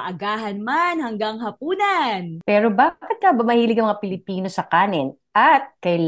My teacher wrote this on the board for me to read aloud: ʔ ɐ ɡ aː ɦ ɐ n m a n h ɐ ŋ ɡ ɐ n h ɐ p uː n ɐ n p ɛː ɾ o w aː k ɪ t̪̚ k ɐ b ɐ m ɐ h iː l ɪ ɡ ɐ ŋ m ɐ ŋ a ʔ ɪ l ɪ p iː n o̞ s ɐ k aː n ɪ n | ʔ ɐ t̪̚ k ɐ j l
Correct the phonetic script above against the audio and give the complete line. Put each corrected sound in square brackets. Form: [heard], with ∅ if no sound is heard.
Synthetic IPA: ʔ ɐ ɡ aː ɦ ɐ n m a n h ɐ ŋ ɡ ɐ [ŋ] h ɐ p uː n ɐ n p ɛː ɾ o [b] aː k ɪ t̪̚ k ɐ b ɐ m ɐ h iː l ɪ ɡ ɐ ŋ m ɐ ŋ a [p] ɪ l ɪ p iː n o̞ s ɐ k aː n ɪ n | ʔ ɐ t̪̚ k ɐ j l